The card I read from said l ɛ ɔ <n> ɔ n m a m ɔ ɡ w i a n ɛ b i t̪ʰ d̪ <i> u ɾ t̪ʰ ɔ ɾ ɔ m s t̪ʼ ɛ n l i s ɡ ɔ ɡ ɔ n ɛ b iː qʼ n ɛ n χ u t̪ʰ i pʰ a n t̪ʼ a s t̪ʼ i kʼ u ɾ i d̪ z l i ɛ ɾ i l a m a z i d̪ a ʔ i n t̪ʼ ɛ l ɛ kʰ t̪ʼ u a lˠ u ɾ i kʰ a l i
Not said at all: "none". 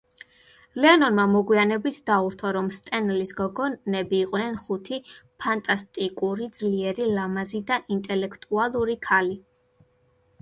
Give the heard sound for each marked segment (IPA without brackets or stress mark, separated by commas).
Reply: n, a